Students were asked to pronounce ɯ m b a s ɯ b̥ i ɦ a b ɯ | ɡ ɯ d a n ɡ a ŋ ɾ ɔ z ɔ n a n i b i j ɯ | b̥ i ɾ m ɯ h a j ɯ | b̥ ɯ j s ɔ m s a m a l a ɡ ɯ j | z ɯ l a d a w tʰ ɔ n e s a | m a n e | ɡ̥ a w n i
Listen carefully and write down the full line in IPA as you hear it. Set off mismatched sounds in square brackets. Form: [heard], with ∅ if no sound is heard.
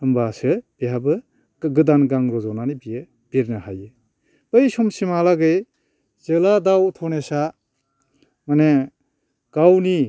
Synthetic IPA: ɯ m b a s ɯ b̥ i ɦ a b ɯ | ɡ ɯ d a n ɡ a ŋ ɾ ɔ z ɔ n a n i b i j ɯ | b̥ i ɾ [n] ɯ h a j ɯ | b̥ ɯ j s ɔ m s [i] m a l a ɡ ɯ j | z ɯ l a d a w tʰ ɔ n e s a | m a n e | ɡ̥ a w n i